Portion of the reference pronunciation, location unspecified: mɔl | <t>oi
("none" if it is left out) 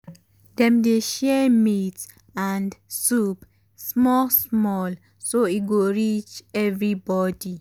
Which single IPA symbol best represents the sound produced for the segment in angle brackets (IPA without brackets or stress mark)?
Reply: s